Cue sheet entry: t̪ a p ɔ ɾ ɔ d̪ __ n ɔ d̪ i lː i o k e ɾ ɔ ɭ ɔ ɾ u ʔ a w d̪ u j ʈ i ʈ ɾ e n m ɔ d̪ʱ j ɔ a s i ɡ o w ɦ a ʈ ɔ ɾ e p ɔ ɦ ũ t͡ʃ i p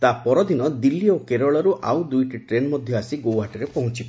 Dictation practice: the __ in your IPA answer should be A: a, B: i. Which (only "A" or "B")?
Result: B